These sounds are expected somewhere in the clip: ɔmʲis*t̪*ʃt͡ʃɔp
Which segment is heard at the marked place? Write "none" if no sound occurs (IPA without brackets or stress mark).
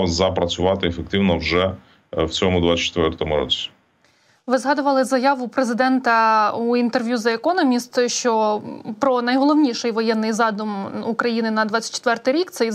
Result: t̪